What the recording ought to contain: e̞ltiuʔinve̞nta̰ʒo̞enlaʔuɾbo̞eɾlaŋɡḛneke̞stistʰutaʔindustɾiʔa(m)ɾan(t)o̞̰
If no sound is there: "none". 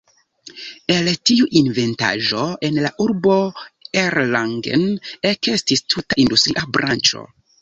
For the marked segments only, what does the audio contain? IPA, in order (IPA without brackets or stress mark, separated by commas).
b, t͡ʃ